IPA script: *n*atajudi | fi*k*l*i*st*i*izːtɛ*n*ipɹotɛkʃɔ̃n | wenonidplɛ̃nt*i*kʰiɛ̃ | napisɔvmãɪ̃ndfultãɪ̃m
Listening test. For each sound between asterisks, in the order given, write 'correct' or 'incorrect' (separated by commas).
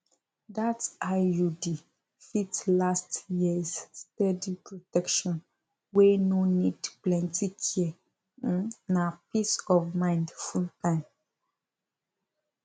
incorrect, incorrect, incorrect, incorrect, incorrect, correct